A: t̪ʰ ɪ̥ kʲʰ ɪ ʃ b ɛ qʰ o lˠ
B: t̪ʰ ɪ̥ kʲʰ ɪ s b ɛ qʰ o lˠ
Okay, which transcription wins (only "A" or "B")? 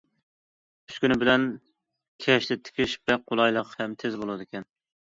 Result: A